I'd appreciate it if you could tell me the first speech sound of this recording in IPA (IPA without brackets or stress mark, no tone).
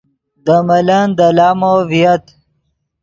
d̪